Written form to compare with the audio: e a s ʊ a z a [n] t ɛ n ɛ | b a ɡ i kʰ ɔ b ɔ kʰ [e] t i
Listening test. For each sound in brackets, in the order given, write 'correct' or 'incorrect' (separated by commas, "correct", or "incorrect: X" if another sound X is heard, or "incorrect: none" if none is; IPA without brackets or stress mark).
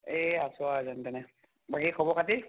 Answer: correct, incorrect: a